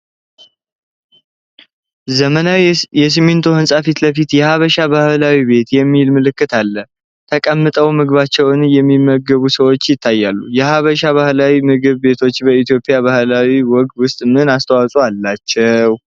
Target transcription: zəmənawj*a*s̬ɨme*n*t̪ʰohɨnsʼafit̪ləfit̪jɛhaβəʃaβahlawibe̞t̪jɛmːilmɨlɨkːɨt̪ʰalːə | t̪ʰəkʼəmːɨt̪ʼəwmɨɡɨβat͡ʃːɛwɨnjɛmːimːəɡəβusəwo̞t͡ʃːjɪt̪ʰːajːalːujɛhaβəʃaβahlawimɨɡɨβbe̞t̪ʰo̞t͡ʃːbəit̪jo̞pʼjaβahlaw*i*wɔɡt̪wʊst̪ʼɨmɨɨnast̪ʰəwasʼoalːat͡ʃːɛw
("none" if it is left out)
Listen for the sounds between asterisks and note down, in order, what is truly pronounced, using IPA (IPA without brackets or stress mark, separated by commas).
ɛ, n, i